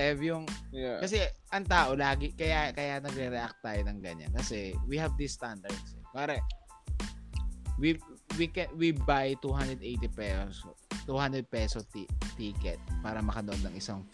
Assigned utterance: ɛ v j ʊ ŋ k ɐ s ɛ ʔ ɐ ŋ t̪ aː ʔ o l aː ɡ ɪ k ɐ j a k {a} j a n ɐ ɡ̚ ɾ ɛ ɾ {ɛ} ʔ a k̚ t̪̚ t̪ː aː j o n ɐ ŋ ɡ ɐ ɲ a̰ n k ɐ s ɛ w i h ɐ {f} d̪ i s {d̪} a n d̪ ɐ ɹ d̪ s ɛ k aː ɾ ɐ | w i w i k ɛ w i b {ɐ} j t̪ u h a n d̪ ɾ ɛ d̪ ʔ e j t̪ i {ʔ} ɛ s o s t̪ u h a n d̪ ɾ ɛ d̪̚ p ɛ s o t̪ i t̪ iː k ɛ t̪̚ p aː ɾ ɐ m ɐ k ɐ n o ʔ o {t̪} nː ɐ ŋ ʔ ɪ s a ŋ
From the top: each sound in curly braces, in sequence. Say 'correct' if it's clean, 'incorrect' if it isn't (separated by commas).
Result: incorrect, correct, incorrect, incorrect, incorrect, incorrect, incorrect